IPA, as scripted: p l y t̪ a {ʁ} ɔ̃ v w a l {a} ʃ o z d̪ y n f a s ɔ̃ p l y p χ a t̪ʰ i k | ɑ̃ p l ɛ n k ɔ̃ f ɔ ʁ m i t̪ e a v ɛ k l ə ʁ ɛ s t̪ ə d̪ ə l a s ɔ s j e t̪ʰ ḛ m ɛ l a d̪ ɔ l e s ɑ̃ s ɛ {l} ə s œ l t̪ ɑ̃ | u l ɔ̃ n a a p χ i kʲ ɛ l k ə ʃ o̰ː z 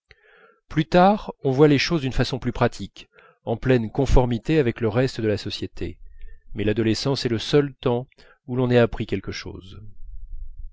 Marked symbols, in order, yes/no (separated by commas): yes, no, yes